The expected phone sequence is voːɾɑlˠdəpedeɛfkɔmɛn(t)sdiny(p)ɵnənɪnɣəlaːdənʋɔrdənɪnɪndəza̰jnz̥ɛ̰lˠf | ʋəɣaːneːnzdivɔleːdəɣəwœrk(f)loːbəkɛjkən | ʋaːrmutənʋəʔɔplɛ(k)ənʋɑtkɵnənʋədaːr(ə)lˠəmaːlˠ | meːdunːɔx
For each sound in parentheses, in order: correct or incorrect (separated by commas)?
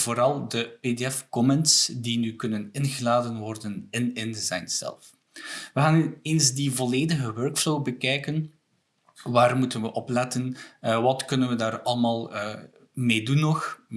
correct, incorrect, correct, incorrect, incorrect